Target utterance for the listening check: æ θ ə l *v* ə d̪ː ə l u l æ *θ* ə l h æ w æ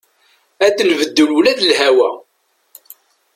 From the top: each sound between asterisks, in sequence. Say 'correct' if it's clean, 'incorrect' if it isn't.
correct, incorrect: ð

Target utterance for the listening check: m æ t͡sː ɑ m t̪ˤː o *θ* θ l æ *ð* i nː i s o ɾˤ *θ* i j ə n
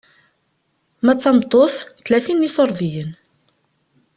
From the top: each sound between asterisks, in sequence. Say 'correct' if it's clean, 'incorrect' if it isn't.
correct, incorrect: θ, incorrect: ð

